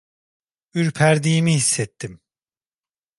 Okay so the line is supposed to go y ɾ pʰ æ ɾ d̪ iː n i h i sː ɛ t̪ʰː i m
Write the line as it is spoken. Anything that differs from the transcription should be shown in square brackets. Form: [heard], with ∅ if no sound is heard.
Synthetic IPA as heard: y ɾ pʰ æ ɾ d̪ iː [m] i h i sː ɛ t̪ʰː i m